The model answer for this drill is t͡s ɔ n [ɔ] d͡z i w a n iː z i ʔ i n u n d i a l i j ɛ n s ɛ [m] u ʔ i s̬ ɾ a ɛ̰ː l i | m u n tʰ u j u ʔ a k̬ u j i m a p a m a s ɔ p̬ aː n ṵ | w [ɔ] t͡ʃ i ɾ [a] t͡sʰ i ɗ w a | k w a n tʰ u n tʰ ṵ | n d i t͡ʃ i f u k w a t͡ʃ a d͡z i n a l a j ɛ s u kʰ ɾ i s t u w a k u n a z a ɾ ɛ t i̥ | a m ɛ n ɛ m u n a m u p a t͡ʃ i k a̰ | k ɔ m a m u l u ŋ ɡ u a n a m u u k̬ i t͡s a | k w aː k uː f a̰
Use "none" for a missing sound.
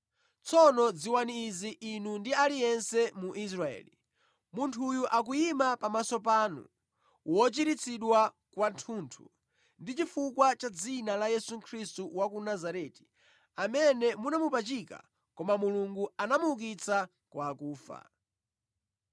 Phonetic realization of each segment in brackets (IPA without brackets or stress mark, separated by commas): ɔ, m, ɔ, i